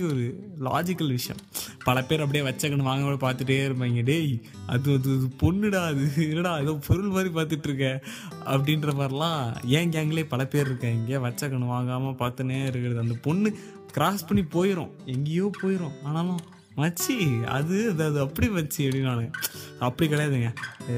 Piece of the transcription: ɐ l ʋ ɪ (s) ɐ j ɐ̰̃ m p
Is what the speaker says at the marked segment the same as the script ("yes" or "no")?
no